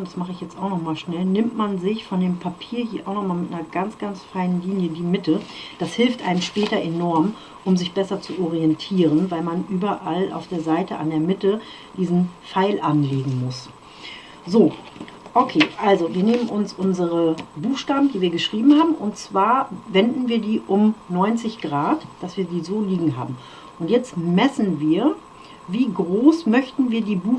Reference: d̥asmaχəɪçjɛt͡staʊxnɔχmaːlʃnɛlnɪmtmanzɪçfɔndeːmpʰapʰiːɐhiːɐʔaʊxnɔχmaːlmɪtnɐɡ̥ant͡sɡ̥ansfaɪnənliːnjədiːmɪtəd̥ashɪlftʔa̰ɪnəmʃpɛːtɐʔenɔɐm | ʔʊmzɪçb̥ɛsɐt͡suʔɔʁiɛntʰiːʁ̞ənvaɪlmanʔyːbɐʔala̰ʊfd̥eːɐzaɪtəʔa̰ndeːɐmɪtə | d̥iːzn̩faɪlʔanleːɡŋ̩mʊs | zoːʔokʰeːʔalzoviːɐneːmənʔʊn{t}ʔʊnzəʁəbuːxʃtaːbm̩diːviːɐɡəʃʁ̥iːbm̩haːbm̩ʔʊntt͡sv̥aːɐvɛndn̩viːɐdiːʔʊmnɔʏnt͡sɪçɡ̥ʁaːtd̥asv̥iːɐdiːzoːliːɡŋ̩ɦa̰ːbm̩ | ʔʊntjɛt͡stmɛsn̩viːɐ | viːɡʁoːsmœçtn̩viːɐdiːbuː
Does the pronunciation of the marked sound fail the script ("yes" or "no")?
yes